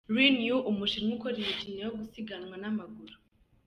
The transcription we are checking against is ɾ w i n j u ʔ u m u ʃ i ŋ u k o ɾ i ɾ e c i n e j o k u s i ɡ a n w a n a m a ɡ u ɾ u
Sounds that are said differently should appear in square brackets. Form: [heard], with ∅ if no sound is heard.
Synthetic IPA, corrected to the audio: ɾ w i n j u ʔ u m u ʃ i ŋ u k o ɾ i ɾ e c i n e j o [ɡ] u s i ɡ a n w a n a m a ɡ u ɾ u